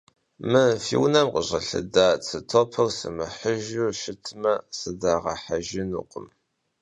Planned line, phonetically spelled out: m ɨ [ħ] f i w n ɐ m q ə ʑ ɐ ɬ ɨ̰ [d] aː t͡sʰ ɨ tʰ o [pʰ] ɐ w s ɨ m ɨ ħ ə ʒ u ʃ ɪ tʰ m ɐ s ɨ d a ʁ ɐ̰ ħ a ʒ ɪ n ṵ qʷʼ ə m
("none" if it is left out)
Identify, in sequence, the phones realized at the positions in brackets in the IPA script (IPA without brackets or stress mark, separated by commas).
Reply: none, d, pʰ